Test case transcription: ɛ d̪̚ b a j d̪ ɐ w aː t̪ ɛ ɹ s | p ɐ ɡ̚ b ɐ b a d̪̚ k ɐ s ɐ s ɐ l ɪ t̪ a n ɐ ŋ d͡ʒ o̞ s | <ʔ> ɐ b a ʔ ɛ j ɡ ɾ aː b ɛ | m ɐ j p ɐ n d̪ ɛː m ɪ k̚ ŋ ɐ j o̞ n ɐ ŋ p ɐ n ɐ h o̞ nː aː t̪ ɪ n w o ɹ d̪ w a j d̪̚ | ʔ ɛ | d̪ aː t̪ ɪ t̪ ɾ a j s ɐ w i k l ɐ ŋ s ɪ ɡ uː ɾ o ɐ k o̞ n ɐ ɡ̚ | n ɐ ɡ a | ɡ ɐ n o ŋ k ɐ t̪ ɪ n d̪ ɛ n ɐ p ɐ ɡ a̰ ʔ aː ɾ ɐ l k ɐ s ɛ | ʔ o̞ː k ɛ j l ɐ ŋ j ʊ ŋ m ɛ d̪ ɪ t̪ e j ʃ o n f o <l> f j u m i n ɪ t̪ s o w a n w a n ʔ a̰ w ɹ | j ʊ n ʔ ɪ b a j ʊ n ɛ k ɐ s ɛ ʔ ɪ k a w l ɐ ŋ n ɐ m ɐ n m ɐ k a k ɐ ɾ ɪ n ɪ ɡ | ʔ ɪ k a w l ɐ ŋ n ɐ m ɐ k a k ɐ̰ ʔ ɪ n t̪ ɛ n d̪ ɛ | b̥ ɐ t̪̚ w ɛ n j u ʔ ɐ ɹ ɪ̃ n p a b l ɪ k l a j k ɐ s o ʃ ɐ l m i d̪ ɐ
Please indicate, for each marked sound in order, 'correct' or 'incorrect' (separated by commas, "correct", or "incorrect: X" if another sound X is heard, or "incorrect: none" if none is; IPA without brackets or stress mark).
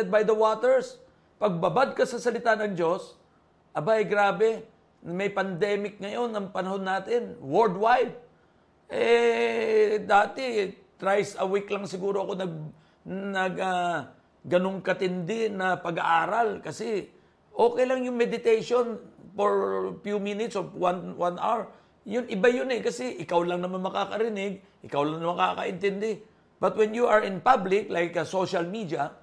correct, incorrect: ɹ